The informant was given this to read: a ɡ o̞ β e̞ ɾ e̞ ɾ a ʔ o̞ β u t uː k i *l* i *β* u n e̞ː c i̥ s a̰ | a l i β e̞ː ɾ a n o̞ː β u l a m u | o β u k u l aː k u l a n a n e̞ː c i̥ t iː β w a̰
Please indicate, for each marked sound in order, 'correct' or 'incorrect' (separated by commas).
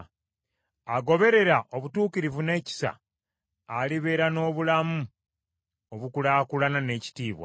incorrect, incorrect